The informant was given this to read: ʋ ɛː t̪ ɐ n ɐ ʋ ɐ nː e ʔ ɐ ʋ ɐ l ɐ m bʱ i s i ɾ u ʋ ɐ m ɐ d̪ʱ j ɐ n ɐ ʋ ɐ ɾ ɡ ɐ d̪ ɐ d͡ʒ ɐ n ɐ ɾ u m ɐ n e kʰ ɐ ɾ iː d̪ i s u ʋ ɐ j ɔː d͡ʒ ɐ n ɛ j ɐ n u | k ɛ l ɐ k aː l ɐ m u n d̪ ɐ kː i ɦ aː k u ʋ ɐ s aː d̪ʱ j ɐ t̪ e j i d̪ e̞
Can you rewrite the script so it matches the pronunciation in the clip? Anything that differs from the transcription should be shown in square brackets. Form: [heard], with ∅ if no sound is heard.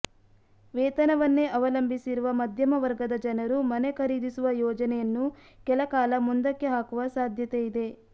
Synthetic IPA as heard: ʋ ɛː t̪ ɐ n ɐ ʋ ɐ nː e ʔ ɐ ʋ ɐ l ɐ m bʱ i s i ɾ u ʋ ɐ m ɐ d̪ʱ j ɐ [m] ɐ ʋ ɐ ɾ ɡ ɐ d̪ ɐ d͡ʒ ɐ n ɐ ɾ u m ɐ n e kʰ ɐ ɾ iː d̪ i s u ʋ ɐ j ɔː d͡ʒ ɐ n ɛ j ɐ [nː] u | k ɛ l ɐ k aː l ɐ m u n d̪ ɐ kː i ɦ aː k u ʋ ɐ s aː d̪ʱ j ɐ t̪ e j i d̪ e̞